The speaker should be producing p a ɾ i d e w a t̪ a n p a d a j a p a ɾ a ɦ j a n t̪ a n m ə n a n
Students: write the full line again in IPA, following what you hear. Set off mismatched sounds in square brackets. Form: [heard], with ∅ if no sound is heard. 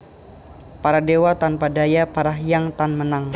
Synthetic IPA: p a ɾ [a] d e w a t̪ a n p a d a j a p a ɾ a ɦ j a [ŋ] t̪ a n m ə n a [ŋ]